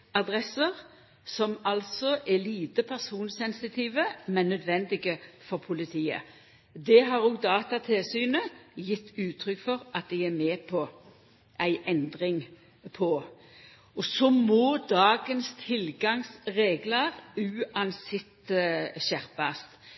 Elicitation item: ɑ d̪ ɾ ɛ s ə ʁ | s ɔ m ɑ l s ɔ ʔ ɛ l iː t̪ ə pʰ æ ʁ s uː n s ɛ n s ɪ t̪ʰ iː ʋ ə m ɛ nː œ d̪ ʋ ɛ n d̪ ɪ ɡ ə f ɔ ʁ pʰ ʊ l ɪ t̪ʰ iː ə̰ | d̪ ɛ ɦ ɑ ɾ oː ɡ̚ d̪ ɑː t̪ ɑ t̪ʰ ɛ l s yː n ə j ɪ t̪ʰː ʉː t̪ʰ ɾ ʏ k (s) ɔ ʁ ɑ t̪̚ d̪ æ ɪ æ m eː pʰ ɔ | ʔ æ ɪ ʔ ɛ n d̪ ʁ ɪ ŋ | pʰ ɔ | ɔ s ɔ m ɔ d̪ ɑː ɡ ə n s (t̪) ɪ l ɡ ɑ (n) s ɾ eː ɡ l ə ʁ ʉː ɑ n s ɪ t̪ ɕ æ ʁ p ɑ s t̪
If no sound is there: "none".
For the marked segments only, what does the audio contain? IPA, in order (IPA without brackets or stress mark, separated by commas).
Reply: f, t̪ʰ, ŋ